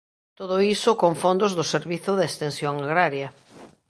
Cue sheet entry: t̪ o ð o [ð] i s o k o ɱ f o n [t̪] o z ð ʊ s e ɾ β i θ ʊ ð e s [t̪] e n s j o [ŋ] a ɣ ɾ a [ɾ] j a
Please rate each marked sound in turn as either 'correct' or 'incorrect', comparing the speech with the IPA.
incorrect, incorrect, correct, correct, correct

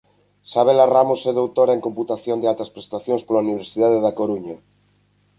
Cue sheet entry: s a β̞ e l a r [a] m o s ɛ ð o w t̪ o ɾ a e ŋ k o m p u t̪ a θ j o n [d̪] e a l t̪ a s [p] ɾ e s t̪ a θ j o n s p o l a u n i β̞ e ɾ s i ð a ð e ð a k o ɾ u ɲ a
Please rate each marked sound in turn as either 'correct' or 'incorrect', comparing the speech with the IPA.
correct, correct, correct

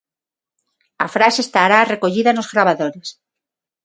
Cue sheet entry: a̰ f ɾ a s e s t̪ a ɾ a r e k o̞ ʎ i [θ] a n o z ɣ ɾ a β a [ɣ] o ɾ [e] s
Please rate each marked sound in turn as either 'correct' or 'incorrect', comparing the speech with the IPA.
incorrect, incorrect, correct

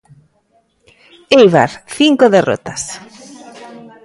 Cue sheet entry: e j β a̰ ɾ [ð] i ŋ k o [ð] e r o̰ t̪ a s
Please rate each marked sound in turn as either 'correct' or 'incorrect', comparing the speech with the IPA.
incorrect, correct

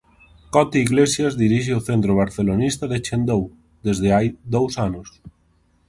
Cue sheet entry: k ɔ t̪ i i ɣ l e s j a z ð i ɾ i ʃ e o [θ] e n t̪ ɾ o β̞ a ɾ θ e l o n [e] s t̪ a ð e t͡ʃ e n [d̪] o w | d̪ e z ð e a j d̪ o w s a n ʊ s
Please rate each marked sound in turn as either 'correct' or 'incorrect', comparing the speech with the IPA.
correct, incorrect, correct

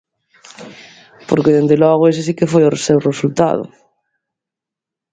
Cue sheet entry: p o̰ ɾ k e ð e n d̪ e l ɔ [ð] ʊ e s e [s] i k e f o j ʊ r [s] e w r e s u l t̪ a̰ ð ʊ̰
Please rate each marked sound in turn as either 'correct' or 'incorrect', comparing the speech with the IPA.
incorrect, correct, correct

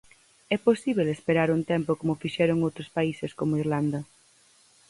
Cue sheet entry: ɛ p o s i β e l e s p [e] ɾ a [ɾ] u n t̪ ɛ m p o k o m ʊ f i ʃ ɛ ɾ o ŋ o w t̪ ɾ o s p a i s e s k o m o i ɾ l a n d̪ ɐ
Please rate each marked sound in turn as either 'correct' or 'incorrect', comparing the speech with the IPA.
correct, correct

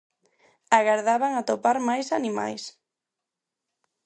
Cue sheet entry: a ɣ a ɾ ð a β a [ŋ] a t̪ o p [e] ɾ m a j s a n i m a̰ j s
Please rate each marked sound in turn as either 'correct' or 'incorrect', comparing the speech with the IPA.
correct, incorrect

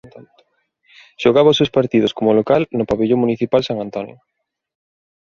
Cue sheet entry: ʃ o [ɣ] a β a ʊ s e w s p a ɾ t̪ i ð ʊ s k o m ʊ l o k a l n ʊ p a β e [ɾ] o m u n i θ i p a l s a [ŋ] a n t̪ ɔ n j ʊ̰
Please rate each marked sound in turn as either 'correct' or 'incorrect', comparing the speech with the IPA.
correct, incorrect, correct

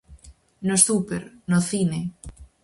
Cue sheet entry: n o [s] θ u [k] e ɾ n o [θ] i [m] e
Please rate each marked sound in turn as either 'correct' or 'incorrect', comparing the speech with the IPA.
correct, incorrect, correct, incorrect

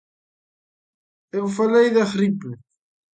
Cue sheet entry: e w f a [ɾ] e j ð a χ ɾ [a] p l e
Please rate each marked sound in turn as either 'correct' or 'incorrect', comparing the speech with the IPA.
incorrect, incorrect

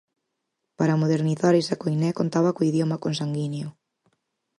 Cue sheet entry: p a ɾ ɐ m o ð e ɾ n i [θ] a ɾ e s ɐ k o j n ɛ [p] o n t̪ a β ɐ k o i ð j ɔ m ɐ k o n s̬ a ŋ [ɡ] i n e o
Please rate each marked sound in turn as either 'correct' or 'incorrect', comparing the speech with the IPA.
correct, incorrect, correct

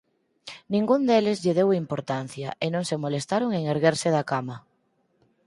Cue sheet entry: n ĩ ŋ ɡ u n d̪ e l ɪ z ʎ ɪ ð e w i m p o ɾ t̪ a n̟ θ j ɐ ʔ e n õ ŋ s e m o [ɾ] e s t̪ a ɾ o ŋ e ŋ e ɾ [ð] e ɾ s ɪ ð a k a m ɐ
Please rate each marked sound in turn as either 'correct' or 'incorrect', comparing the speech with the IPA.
incorrect, incorrect

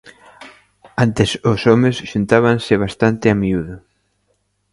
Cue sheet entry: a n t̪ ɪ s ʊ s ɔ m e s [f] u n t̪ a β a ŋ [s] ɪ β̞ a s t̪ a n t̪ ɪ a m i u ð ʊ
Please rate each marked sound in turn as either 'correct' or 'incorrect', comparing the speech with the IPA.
incorrect, correct

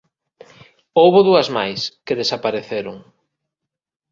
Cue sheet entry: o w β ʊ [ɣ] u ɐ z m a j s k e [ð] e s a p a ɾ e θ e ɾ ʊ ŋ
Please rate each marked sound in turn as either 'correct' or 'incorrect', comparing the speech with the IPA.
incorrect, correct

